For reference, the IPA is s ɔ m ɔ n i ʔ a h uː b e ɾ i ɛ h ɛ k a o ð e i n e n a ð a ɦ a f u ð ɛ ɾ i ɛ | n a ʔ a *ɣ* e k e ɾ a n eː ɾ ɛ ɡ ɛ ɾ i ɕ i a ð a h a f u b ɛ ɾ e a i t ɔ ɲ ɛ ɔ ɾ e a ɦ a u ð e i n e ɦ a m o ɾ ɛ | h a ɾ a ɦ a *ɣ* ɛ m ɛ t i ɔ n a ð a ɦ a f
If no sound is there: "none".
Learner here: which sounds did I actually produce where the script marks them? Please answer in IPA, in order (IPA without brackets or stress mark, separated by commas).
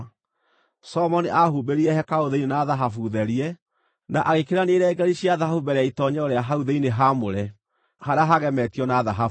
ɣ, ɣ